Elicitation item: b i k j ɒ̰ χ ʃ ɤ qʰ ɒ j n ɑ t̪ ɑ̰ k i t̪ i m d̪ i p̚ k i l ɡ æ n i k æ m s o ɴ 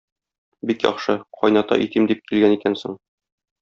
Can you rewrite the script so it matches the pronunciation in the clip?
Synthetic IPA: b i k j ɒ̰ χ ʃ ɤ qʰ ɒ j n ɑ t̪ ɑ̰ ʔ i t̪ i m d̪ i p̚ k i l ɡ æ n i k æ n s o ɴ

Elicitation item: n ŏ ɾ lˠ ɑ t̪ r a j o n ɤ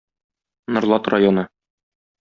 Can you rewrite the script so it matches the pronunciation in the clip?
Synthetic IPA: n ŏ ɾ lˠ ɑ t̪ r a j o n ɤ

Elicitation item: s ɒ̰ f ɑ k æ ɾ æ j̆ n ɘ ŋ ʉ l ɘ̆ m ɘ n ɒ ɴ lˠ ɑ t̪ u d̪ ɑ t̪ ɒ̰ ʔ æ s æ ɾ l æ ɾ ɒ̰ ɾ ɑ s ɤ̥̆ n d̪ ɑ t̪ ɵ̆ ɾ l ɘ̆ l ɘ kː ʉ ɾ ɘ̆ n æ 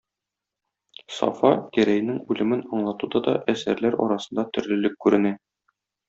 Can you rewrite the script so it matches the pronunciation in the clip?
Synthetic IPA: s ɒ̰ f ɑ k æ ɾ æ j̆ n ɘ ŋ ʉ l ɘ̆ m ɘ n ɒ ɴ lˠ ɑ t̪ u d̪ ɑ d̪ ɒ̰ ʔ æ s æ ɾ l æ ɾ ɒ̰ ɾ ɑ s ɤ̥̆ n d̪ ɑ t̪ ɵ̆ ɾ l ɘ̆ l ɘ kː ʉ ɾ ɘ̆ n æ

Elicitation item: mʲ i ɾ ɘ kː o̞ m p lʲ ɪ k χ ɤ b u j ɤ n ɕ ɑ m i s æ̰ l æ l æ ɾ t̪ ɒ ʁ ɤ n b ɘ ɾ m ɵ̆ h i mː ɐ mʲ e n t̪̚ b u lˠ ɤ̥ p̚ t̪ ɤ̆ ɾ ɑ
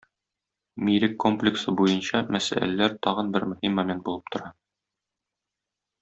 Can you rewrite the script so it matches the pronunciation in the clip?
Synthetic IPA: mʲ i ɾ ɘ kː o̞ m p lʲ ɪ k s ɤ b u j ɤ n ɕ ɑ m æ s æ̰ l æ l æ ɾ t̪ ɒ ʁ ɤ n b ɘ ɾ m ɵ̆ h i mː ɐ mʲ e n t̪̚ b u lˠ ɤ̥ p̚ t̪ ŏ ɾ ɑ

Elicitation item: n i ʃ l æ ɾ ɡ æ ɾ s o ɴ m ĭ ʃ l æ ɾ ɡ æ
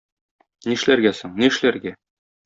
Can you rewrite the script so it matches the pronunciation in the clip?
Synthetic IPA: n i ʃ l æ ɾ ɡ æ s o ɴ n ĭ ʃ l æ ɾ ɡ æ

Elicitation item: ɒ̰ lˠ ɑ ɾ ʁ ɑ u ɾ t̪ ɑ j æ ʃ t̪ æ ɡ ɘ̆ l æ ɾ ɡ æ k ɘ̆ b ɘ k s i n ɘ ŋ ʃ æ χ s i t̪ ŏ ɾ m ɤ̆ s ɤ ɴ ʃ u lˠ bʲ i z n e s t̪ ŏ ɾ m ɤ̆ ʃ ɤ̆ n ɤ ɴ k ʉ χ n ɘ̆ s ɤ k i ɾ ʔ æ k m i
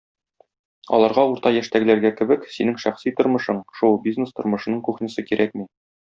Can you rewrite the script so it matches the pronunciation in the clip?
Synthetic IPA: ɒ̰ lˠ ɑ ɾ ʁ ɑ u ɾ t̪ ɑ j æ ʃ t̪ æ ɡ ɘ̆ l æ ɾ ɡ æ k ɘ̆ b ɘ k s i n ɘ ŋ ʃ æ χ s i t̪ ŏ ɾ m ɤ̆ ʃ ɤ ɴ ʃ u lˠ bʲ i z n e s t̪ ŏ ɾ m ɤ̆ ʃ ɤ̆ n ɤ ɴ k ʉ χ n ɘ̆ s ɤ k i ɾ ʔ æ k m i

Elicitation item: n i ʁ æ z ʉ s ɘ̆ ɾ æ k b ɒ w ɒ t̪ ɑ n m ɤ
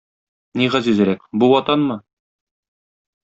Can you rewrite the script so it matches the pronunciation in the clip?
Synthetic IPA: n i ʁ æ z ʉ z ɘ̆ ɾ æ k b u w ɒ t̪ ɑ n m ɤ

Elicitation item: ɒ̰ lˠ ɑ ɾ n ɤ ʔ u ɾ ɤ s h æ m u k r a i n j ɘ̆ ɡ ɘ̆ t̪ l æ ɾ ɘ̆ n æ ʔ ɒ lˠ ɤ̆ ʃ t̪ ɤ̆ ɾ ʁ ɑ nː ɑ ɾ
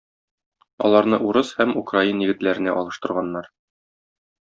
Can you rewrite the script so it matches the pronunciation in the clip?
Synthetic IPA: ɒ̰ lˠ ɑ ɾ n ɤ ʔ u ɾ ɤ s h æ m u k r a i n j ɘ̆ ɡ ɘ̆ t̪ l æ ɾ ɘ̆ n æ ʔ ɒ lˠ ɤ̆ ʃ t̪ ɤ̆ ɾ ʁ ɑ nː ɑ ɾ

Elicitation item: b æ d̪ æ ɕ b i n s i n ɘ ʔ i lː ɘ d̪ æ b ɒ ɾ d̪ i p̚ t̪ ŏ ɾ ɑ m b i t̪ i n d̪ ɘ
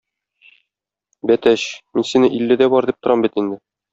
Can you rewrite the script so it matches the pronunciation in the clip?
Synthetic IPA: b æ t̪ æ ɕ m i n s i n ɘ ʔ i lː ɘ d̪ æ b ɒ ɾ d̪ i p̚ t̪ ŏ ɾ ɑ m b i t̪ i n d̪ ɘ

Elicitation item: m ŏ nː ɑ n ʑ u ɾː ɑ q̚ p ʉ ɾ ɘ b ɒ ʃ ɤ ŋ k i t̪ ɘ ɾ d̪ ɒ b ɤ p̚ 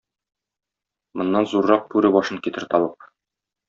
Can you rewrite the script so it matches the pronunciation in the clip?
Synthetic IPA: m ŏ nː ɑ n z u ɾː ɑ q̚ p ʉ ɾ ɘ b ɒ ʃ ɤ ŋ k i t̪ ɘ ɾ t̪ ɒ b ɤ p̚

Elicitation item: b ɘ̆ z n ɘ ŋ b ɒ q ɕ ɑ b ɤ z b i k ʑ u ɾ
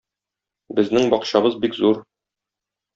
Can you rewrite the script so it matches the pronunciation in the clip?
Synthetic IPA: b ɘ̆ z n ɘ ŋ b ɒ q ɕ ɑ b ɤ z b i k z u ɾ

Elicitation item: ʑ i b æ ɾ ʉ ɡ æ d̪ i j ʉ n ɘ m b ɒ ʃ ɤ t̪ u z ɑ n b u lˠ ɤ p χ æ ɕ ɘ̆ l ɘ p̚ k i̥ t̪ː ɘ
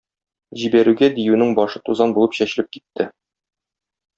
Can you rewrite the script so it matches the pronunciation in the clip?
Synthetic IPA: ʑ i b æ ɾ ʉ ɡ æ d̪ i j ʉ n ɘ ŋ b ɒ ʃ ɤ t̪ u z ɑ n b u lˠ ɤ p ɕ æ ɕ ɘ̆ l ɘ p̚ k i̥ t̪ː ɘ

